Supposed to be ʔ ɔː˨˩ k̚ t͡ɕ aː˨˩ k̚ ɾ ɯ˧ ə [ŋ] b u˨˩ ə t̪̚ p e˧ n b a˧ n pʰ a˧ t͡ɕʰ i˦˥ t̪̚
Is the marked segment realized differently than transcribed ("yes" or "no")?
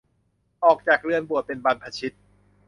yes